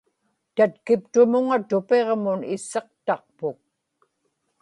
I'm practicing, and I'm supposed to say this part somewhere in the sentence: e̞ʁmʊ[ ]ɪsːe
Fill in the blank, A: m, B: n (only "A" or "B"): B